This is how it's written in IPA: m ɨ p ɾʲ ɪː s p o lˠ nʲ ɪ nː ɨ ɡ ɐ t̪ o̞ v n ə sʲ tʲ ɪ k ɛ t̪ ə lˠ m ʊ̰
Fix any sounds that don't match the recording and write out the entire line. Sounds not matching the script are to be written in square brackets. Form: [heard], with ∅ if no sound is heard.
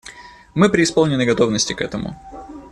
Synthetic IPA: m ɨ p ɾʲ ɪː s p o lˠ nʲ ɪ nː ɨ ɡ ɐ t̪ o̞ v n ə sʲ tʲ ɪ k ɛ t̪ ə [∅] m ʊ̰